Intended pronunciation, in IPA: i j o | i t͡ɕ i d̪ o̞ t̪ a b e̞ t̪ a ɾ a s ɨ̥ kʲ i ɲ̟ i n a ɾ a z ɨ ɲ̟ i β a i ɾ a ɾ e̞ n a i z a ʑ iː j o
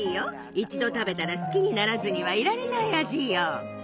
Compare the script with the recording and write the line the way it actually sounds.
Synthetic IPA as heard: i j o | i t͡ɕ i d̪ o̞ t̪ a b e̞ t̪ a ɾ a s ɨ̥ kʲ i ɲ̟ i n a ɾ a z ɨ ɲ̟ i β a i ɾ a ɾ e̞ n a i a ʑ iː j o